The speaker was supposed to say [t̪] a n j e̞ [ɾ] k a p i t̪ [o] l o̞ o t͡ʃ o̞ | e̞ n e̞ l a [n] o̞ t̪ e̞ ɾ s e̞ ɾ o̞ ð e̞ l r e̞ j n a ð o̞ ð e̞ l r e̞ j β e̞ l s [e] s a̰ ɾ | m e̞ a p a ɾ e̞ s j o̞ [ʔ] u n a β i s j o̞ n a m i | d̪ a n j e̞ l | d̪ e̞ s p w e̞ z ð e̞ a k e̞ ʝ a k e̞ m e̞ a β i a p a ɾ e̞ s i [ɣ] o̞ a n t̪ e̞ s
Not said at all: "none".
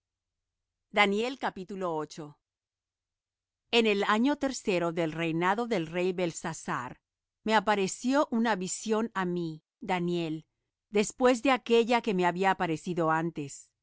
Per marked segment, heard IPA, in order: d̪, l, u, ɲ, a, ʔ, ð

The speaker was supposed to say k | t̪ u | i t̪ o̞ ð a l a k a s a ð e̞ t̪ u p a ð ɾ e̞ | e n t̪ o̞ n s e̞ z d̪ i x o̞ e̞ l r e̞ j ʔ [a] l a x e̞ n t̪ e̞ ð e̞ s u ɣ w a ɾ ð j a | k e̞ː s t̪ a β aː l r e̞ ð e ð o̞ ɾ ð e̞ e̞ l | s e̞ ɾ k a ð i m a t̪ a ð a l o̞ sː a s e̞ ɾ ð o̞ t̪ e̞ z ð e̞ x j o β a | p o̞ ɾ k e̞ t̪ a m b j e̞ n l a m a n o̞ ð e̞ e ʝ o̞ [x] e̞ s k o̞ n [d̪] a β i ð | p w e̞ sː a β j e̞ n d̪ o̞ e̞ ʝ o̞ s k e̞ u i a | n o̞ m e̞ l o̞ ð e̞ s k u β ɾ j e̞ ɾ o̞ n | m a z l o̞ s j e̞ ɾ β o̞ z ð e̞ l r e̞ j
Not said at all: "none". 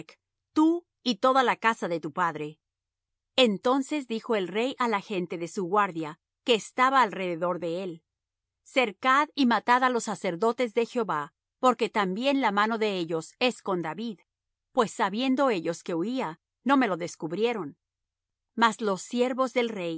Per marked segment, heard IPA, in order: a, s, d̪

